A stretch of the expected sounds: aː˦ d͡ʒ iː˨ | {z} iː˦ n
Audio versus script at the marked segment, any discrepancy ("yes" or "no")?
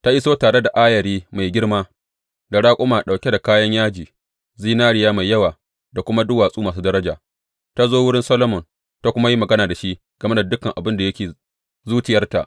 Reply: no